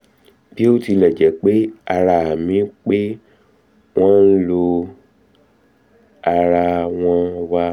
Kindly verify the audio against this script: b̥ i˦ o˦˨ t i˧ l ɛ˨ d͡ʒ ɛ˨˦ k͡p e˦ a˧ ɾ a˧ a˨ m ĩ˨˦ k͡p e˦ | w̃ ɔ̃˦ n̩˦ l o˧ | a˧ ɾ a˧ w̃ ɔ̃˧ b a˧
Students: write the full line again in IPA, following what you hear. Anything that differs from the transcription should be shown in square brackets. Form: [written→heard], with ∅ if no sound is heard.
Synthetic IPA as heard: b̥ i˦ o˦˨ t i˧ l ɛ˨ d͡ʒ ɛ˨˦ k͡p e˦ a˧ ɾ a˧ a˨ m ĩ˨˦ k͡p e˦ | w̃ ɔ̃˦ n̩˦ l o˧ | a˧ ɾ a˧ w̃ ɔ̃˧ [b→w] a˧